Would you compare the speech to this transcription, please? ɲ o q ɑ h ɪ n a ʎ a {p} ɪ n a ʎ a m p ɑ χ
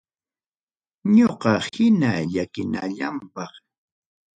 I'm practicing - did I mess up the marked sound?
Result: yes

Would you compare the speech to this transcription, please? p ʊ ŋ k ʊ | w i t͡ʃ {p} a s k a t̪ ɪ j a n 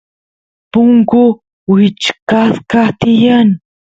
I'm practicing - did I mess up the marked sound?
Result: yes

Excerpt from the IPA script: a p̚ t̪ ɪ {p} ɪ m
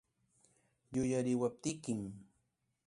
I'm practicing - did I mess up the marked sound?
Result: yes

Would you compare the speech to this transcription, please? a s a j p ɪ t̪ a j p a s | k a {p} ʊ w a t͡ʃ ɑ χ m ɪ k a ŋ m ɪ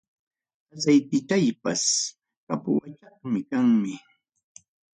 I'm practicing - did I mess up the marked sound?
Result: no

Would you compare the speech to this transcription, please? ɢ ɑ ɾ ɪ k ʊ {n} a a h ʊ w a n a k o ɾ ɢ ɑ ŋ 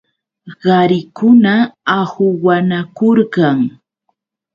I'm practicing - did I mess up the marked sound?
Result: no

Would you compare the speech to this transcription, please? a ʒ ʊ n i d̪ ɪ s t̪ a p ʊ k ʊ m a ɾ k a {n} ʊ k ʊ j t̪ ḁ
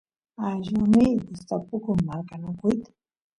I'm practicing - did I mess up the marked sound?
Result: no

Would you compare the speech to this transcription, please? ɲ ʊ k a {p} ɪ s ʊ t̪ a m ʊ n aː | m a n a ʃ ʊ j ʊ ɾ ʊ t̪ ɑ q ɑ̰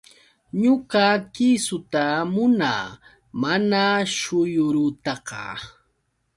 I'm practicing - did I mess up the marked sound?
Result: yes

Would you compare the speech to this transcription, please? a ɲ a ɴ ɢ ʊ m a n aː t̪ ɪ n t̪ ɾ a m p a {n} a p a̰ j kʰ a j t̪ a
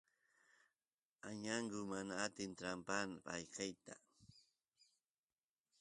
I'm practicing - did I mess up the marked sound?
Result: no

